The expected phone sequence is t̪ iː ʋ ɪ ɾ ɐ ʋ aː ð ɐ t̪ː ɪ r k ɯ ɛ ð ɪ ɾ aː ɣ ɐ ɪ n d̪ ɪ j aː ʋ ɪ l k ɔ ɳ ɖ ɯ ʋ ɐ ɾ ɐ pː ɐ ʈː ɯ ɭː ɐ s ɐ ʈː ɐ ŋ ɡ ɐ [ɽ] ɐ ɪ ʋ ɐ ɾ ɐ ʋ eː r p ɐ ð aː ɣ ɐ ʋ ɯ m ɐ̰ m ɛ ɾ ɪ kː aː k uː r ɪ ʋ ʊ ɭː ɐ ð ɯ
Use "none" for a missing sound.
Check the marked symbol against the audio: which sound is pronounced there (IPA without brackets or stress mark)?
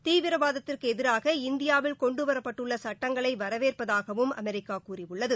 ɭ